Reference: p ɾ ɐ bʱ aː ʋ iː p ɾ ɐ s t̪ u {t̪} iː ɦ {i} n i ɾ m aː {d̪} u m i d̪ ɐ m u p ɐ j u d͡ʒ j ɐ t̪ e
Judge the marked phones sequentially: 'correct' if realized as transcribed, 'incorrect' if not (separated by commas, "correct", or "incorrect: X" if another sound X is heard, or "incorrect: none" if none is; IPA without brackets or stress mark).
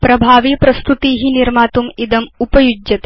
correct, correct, incorrect: t̪